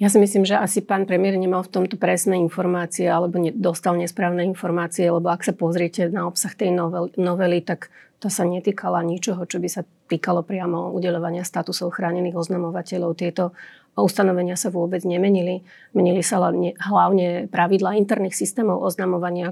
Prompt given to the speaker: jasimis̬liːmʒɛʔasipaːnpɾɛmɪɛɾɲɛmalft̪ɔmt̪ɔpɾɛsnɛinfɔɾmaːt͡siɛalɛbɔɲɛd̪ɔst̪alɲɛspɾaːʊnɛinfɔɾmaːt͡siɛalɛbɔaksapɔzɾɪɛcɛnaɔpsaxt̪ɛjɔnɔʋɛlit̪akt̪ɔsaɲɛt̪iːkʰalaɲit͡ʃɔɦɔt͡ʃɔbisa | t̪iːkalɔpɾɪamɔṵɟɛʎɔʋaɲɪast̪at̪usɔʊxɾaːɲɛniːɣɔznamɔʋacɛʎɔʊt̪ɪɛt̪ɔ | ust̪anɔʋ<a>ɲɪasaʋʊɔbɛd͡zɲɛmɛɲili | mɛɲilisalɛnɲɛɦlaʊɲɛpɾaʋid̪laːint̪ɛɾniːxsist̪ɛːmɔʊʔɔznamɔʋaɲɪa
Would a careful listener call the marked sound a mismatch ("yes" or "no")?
yes